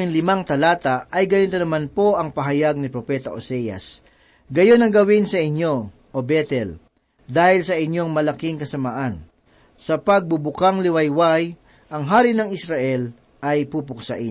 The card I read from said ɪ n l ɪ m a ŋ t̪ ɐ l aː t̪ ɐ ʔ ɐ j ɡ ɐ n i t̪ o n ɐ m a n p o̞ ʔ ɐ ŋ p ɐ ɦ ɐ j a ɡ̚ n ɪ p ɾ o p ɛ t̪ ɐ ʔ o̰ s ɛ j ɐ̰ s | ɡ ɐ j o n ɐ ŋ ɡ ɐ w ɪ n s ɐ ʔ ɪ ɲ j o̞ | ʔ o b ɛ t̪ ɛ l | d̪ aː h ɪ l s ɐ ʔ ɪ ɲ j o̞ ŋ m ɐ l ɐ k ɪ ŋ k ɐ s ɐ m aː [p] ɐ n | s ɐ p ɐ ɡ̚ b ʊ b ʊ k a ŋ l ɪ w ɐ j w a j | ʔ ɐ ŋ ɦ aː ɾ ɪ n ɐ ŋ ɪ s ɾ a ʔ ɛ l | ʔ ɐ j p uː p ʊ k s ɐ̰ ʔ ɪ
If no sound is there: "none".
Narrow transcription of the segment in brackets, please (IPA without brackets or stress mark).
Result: ʔ